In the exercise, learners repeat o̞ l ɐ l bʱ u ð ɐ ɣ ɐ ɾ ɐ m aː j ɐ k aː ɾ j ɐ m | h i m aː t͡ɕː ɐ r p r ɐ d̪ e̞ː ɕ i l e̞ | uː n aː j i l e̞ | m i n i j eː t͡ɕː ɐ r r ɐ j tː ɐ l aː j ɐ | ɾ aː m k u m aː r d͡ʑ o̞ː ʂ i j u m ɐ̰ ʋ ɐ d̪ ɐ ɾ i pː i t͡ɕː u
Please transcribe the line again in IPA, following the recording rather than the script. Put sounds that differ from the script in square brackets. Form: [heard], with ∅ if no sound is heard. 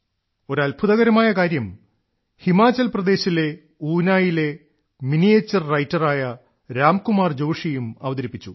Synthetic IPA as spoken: o̞ [ɾ] ɐ l bʱ u ð ɐ ɣ ɐ ɾ ɐ m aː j ɐ k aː ɾ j ɐ m | h i m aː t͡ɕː ɐ [l] p r ɐ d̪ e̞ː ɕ i l e̞ | uː n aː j i l e̞ | m i n i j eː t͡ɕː ɐ r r ɐ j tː ɐ [r] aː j ɐ | ɾ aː m k u m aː r d͡ʑ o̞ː ʂ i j u m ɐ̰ ʋ ɐ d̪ ɐ ɾ i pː i t͡ɕː u